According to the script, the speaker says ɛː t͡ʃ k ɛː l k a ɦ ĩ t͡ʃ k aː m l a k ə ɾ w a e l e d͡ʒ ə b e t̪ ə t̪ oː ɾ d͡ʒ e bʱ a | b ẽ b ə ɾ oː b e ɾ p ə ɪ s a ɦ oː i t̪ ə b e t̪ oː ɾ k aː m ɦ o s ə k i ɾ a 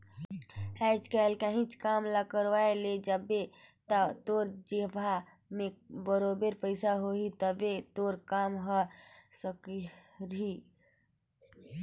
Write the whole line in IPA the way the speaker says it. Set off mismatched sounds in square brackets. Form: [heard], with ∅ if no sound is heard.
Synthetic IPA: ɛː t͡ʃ k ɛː l k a ɦ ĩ t͡ʃ k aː m l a k ə ɾ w a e l e d͡ʒ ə b e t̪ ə t̪ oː ɾ d͡ʒ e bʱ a | [m] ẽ b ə ɾ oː b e ɾ p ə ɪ s a ɦ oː i t̪ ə b e t̪ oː ɾ k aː m ɦ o s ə k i ɾ [i]